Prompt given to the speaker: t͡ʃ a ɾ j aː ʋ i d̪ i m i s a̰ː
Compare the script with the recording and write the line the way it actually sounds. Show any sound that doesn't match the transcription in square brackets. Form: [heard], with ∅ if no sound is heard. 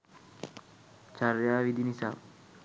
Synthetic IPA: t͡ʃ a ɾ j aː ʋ i d̪ i [n] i s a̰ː

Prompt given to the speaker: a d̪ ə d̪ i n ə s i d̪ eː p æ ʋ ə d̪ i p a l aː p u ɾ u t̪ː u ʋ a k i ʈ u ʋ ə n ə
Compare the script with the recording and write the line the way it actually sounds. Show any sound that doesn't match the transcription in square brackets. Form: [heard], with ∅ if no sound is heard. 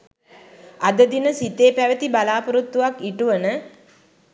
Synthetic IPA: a d̪ ə d̪ i n ə s i [t̪] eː p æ ʋ ə [t̪] i [b] a l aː p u ɾ u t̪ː u ʋ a k i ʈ u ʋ ə n ə

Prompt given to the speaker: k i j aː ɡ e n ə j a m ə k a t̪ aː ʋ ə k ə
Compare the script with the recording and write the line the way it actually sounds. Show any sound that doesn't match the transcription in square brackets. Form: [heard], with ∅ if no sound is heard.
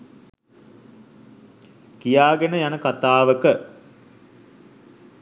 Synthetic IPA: k i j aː ɡ e n ə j a [n] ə k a t̪ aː ʋ ə k ə

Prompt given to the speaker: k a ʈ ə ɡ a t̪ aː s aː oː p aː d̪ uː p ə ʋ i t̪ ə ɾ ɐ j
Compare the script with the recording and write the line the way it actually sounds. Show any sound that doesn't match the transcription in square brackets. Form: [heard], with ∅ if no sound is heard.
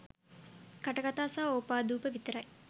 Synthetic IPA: k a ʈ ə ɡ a t̪ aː s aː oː p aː d̪ uː p ə ʋ i t̪ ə ɾ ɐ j

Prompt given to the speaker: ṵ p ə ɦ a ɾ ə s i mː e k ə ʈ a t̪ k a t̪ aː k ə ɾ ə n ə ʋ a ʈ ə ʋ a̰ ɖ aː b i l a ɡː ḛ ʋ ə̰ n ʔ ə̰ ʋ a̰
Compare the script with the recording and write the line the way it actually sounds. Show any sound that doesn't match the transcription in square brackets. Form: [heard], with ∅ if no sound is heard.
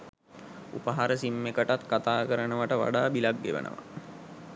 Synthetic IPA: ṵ p ə ɦ a ɾ ə s i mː e k ə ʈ a t̪ k a t̪ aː k ə ɾ ə n ə ʋ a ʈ ə ʋ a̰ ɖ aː b i l a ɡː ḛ ʋ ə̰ n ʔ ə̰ ʋ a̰

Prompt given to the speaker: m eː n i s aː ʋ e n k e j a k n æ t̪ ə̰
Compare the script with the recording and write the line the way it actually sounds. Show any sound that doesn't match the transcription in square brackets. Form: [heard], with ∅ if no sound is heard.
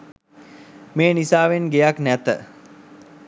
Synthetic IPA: m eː n i s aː ʋ e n [ɡ] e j a k n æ t̪ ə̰

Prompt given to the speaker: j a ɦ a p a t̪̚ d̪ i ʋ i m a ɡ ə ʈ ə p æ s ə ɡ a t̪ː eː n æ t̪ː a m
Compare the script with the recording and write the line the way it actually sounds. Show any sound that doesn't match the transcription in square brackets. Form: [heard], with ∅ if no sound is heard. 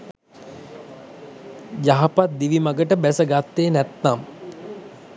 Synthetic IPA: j a ɦ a p a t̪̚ d̪ i ʋ i m a ɡ ə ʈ ə [b] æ s ə ɡ a t̪ː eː n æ t̪ː a m

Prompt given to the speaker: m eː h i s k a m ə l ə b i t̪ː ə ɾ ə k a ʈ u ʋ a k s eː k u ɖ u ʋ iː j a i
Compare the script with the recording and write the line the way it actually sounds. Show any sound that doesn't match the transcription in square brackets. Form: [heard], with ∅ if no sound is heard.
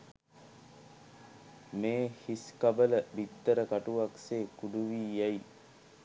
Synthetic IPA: m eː h i s k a [b] ə l ə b i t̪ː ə ɾ ə k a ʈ u ʋ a k s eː k u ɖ u ʋ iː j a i

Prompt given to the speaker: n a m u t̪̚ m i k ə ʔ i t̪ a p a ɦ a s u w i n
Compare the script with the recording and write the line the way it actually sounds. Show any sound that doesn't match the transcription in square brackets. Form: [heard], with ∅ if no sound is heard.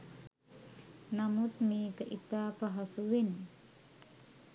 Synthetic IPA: n a m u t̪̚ m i k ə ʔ i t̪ a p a ɦ a s u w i n

